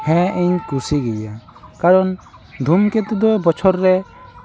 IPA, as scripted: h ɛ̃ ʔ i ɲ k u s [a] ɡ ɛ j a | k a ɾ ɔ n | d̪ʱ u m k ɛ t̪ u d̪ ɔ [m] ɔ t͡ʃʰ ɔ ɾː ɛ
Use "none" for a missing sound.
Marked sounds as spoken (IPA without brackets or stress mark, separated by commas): i, b